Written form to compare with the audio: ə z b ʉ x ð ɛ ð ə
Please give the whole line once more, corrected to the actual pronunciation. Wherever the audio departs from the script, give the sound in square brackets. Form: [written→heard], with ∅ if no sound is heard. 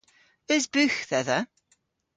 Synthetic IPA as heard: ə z b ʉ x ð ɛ ð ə